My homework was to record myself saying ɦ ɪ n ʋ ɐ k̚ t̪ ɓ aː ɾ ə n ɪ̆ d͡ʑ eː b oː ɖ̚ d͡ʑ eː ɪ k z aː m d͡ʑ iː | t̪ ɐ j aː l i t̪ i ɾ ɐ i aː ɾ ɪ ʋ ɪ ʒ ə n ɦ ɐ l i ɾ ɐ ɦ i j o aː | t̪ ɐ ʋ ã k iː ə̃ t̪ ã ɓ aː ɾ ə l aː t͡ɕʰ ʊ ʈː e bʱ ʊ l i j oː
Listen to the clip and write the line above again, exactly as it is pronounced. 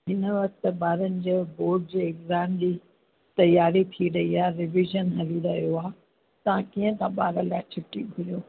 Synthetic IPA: ɦ ɪ n ʋ ɐ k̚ t̪ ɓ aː ɾ ə n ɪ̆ d͡ʑ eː b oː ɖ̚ d͡ʑ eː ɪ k z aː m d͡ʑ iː | t̪ ɐ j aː ɾ i t̪ʰ i ɾ ɐ i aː ɾ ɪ ʋ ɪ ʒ ə n ɦ ɐ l i ɾ ɐ ɦ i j o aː | t̪ ɐ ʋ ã k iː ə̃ t̪ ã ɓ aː ɾ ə l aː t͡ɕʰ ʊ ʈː i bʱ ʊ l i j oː